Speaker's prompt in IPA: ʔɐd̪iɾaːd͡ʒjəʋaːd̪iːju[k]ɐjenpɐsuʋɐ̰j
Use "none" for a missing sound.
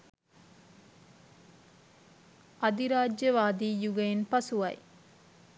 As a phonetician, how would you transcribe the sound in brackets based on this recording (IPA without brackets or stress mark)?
ɡ